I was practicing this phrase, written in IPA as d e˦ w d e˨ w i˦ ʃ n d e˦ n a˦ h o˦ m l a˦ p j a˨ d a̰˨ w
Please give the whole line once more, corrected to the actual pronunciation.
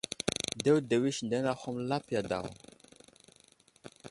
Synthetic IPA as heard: d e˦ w d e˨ w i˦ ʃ n d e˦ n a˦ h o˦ m l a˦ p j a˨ d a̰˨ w